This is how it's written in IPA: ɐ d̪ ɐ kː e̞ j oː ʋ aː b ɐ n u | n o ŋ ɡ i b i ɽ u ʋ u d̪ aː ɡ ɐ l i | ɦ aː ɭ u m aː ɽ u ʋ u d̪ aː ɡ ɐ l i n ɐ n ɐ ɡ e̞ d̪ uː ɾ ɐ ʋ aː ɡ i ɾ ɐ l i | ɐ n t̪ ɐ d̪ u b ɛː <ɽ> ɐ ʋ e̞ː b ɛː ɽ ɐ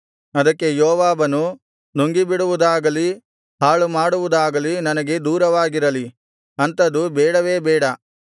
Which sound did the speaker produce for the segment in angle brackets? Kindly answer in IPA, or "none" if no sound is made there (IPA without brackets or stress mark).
ɽ